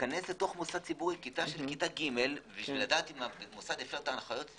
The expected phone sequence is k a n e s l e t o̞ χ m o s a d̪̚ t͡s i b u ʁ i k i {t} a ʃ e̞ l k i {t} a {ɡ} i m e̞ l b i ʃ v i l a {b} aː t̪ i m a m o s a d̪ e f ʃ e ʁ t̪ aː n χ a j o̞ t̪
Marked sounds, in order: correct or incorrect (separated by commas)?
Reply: correct, correct, correct, incorrect